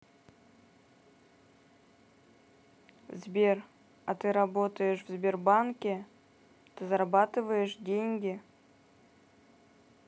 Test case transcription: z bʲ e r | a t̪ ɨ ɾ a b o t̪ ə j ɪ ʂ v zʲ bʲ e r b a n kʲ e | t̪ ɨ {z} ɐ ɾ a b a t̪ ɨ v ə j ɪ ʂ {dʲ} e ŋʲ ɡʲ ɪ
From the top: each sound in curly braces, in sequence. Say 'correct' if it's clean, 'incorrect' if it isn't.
correct, correct

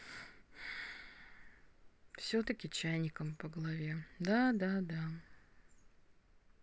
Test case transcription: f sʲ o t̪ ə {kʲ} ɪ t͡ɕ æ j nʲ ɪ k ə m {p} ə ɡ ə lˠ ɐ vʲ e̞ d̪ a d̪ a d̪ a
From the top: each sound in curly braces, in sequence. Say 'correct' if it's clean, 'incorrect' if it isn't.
correct, correct

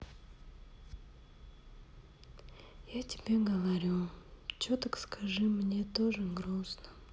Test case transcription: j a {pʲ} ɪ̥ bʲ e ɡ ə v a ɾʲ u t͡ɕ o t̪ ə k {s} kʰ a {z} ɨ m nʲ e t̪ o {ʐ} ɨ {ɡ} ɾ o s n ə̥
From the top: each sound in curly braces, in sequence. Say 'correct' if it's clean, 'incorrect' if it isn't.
incorrect: tʲ, correct, incorrect: ʐ, correct, correct

